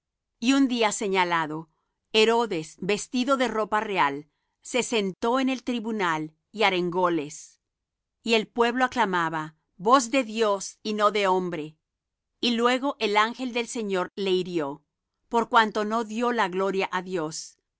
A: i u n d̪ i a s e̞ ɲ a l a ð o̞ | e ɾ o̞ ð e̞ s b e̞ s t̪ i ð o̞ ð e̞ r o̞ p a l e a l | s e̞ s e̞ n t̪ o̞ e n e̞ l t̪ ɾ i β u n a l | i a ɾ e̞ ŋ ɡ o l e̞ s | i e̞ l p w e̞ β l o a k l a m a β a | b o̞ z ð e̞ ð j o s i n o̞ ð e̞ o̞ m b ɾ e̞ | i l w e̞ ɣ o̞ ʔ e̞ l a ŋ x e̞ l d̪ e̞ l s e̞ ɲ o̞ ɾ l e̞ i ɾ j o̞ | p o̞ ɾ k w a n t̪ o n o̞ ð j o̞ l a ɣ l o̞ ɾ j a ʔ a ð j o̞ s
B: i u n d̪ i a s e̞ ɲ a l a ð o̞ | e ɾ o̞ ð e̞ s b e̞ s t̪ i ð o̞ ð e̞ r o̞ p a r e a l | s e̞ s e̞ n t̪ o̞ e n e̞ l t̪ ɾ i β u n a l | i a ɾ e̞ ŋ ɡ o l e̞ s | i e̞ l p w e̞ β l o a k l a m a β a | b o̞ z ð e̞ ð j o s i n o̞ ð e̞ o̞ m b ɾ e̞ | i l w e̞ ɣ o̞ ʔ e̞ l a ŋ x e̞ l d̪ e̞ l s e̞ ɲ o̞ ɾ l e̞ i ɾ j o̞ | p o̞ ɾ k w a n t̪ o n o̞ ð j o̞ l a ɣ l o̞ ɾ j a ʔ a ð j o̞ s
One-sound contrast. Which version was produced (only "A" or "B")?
B